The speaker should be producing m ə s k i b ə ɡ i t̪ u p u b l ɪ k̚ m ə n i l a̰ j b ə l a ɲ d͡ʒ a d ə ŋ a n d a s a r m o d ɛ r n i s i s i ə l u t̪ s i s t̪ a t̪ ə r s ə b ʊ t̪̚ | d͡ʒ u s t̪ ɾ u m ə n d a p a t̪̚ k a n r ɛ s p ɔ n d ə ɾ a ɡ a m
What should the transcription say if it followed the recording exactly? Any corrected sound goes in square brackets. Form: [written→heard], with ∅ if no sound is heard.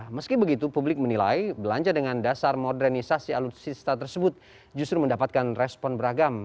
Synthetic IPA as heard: m ə s k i b ə ɡ i t̪ u p u b l ɪ k̚ m ə n i l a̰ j b ə l a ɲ d͡ʒ a d ə ŋ a n d a s a r m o d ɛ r n i s [i→a] s i [ə→a] l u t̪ s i s t̪ a t̪ ə r s ə b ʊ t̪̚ | d͡ʒ u s t̪ ɾ u m ə n d a p a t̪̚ k a n r ɛ s p ɔ n [d→b] ə ɾ a ɡ a m